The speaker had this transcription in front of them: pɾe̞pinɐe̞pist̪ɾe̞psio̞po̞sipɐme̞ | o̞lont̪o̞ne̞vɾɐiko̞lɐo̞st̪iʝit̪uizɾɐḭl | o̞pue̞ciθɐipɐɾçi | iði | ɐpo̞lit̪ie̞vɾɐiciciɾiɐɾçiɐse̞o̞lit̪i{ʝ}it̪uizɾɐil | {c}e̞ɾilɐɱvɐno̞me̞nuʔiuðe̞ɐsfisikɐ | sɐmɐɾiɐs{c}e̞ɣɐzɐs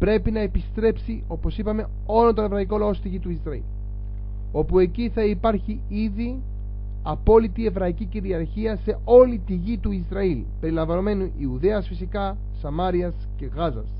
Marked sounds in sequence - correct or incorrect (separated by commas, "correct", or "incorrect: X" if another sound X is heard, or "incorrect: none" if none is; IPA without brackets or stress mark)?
correct, incorrect: p, correct